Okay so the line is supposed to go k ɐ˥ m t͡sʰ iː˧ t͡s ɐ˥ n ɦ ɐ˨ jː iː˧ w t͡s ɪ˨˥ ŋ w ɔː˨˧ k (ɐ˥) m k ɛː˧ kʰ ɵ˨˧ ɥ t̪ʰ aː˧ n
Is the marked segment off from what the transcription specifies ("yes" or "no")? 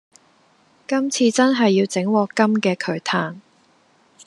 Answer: no